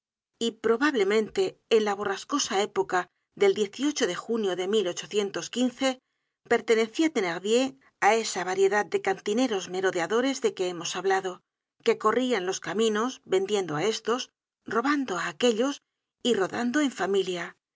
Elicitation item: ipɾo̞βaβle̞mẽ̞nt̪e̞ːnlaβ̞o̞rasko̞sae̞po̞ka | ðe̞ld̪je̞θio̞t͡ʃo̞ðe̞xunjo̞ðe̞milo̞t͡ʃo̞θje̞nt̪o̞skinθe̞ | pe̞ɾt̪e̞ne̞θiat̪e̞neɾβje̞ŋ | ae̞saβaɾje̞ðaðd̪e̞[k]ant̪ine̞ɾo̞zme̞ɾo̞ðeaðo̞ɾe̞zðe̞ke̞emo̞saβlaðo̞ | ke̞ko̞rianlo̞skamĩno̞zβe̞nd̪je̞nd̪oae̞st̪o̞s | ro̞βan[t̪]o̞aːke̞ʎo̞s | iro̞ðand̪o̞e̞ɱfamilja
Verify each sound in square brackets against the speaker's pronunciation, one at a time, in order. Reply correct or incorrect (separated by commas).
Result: correct, incorrect